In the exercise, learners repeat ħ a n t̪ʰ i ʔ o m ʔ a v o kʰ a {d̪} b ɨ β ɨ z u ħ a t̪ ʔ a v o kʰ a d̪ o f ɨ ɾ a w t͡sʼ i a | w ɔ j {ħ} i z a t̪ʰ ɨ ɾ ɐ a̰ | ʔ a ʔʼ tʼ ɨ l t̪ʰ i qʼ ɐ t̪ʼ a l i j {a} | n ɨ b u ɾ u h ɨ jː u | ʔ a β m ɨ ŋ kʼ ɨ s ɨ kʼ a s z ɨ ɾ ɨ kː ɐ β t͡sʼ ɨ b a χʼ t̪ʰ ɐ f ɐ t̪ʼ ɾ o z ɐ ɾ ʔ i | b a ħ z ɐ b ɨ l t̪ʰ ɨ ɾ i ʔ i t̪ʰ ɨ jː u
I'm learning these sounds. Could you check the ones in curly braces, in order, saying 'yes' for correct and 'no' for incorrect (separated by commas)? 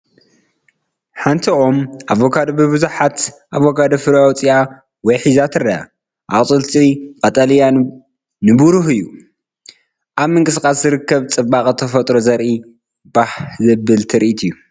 yes, yes, yes